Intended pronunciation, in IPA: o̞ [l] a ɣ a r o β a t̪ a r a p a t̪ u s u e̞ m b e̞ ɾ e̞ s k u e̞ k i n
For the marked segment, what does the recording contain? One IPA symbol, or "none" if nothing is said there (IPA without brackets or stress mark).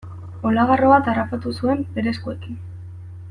l